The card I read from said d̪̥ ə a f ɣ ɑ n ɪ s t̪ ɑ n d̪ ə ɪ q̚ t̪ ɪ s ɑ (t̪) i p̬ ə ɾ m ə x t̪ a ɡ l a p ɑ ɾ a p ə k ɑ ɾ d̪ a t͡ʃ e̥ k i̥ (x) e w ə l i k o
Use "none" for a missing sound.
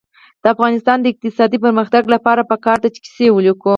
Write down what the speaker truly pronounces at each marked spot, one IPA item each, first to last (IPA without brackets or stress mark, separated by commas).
d̪, s